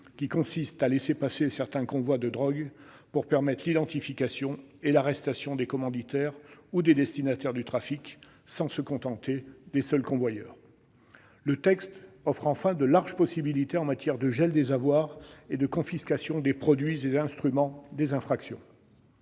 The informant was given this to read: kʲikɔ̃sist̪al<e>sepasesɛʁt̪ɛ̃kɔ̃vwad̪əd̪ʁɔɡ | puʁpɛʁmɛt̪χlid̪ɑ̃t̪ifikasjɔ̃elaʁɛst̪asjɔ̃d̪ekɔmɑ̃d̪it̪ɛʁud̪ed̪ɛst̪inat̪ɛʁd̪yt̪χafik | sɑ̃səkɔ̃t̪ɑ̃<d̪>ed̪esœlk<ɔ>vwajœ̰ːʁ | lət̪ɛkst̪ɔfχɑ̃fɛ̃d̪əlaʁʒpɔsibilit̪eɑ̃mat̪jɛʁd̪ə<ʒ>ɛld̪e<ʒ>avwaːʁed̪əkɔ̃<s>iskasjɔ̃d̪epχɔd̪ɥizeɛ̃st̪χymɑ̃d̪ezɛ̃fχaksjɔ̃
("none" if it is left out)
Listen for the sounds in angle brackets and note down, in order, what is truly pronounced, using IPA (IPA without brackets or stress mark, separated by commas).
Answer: e, t̪, ɔ̃, ʒ, z, f